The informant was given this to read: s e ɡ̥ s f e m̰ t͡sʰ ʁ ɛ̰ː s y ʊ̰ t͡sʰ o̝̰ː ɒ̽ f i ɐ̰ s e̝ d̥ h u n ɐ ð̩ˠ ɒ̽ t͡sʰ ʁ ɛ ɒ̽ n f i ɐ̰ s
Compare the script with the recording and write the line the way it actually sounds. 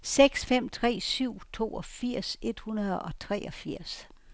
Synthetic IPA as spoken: s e ɡ̥ s f e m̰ t͡sʰ ʁ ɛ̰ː s y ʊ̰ t͡sʰ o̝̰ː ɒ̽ f i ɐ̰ s e̝ d̥ h u n ɐ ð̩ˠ ɒ̽ t͡sʰ ʁ ɛ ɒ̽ f i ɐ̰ s